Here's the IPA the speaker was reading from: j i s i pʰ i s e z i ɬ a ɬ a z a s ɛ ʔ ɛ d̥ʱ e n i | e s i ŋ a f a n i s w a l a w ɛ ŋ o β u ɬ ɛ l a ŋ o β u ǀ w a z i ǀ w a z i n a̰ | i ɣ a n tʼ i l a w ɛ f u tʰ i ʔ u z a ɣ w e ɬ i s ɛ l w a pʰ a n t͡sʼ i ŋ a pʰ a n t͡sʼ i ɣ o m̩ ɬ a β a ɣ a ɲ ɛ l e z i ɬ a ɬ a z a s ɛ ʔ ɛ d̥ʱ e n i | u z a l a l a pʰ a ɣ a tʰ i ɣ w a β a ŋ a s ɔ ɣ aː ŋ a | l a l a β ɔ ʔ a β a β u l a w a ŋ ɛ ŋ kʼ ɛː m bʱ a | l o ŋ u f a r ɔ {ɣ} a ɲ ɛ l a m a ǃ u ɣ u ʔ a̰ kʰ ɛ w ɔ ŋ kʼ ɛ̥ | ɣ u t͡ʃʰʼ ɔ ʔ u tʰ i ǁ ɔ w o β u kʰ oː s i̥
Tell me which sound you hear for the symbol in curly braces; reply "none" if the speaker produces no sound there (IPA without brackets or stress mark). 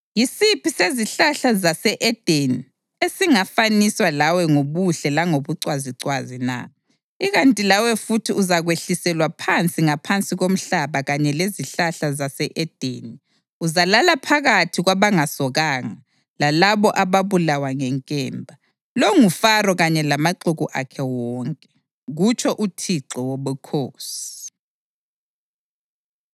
ɣ